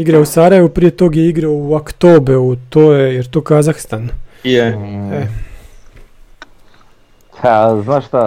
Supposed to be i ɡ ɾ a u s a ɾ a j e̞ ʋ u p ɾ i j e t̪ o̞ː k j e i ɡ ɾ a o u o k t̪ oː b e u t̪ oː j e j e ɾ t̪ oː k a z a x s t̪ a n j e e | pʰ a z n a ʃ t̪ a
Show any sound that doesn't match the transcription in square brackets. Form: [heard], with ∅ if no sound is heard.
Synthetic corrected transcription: i ɡ ɾ a u s a ɾ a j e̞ ʋ u p ɾ i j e t̪ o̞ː [ɡ] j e i ɡ ɾ a o u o k t̪ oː b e u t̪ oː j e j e ɾ t̪ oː k a z a x s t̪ a n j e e | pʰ a z n a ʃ t̪ a